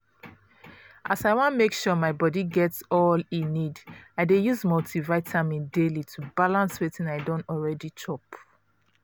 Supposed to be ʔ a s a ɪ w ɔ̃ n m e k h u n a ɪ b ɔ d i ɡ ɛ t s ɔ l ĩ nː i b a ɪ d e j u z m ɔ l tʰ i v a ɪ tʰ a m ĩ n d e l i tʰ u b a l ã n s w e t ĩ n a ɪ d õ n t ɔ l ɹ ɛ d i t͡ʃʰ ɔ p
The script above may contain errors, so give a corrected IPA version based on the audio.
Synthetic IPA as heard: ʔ a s a ɪ w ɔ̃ n m e k ʃ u m a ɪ b ɔ d i ɡ ɛ t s ɔ l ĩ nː i d a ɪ d e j u z m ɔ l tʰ i v a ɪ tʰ a m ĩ n d e l i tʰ u b a l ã n s w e t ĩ n a ɪ d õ n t ɔ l ɹ ɛ d i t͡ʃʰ ɔ p